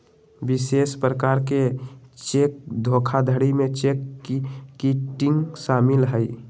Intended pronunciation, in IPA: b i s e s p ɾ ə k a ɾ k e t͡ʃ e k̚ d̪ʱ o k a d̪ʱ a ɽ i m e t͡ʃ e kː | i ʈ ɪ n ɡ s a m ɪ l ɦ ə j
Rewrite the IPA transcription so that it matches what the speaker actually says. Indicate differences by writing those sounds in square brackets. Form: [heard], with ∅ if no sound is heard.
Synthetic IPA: b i s e s p ɾ ə k a ɾ k e t͡ʃ e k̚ d̪ʱ o [kʰ] a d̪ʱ [ə] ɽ i m e t͡ʃ e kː | i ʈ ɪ [ŋ] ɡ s a m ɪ l ɦ ə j